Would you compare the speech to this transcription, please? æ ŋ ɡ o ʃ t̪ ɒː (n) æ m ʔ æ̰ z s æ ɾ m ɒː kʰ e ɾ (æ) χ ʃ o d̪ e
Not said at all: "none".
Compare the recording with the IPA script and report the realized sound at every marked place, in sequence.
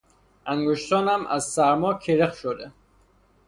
n, e

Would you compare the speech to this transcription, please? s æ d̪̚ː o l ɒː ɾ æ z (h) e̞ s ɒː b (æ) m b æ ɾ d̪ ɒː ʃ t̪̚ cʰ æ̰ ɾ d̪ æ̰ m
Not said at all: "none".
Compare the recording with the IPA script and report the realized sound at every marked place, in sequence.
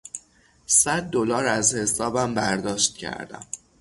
h, æ

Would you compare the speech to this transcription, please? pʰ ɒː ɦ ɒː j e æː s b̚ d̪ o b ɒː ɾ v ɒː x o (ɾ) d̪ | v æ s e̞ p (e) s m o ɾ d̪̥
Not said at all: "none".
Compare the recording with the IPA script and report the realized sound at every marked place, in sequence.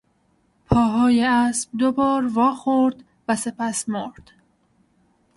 ɾ, æ

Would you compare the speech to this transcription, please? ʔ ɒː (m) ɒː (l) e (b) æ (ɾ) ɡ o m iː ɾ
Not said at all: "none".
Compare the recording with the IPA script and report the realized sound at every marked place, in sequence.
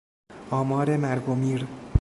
m, ɾ, m, ɾ

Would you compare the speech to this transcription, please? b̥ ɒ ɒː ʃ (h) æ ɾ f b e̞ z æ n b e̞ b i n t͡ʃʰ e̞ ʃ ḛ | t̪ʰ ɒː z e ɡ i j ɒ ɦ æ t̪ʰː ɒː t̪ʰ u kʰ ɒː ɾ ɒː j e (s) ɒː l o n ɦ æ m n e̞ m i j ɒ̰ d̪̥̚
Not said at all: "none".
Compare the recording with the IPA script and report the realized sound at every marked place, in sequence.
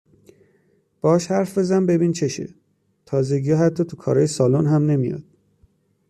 h, s

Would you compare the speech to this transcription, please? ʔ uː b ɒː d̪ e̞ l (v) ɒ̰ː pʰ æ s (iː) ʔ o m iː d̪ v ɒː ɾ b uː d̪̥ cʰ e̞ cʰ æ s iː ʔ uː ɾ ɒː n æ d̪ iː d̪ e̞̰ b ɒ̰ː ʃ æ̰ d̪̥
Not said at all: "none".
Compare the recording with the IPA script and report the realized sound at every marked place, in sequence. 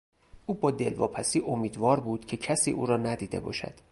v, iː

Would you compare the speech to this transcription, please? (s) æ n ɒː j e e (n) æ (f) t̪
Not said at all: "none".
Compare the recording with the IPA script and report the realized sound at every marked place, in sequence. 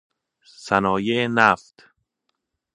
s, n, f

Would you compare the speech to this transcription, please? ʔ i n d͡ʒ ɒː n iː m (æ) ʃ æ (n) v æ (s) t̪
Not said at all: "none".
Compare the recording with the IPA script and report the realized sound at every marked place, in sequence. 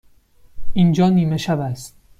e, none, s

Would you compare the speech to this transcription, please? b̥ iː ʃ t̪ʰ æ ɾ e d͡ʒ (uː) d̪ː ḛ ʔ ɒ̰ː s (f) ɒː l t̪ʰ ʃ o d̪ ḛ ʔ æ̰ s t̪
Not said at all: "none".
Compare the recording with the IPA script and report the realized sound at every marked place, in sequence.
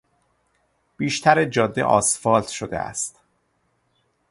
ɒː, f

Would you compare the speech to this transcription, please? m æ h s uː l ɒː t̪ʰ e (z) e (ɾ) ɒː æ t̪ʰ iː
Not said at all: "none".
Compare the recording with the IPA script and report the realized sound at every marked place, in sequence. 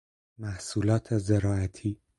z, ɾ

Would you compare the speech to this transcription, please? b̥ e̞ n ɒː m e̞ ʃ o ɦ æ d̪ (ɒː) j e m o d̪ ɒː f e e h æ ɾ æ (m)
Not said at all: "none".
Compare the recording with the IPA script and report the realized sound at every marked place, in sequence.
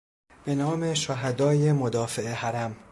ɒː, m

